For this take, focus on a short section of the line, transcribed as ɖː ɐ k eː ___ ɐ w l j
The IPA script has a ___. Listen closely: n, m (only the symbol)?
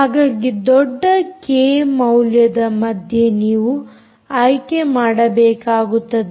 m